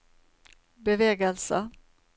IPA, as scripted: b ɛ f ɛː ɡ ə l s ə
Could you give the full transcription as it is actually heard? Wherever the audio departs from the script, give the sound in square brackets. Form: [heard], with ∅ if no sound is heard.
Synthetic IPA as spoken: b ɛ [v] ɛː ɡ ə l s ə